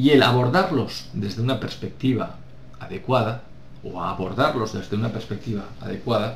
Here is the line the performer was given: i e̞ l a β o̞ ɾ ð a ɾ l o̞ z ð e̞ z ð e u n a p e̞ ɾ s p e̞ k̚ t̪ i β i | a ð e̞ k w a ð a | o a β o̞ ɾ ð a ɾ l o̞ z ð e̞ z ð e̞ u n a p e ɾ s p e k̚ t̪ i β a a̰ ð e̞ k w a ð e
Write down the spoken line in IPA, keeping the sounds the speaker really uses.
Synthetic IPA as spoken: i e̞ l a β o̞ ɾ ð a ɾ l o̞ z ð e̞ z ð e u n a p e̞ ɾ s p e̞ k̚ t̪ i β a | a ð e̞ k w a ð a | o a β o̞ ɾ ð a ɾ l o̞ z ð e̞ z ð e̞ u n a p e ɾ s p e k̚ t̪ i β a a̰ ð e̞ k w a ð a